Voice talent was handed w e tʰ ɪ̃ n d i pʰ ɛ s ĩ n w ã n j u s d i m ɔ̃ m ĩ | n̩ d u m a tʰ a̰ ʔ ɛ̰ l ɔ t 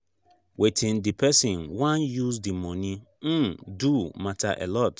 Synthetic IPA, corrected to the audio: w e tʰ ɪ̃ n d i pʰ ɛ s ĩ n w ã n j u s d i m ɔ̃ n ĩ | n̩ d u m a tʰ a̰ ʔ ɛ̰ l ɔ t